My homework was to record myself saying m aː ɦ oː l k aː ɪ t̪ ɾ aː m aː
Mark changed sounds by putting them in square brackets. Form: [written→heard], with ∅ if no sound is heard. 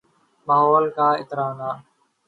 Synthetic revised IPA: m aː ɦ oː l k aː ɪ t̪ ɾ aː [m→n] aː